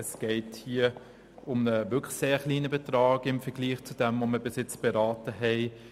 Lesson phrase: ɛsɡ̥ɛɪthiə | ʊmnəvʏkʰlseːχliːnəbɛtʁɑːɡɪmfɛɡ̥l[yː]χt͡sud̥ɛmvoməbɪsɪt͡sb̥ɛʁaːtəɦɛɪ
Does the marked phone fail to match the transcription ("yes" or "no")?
yes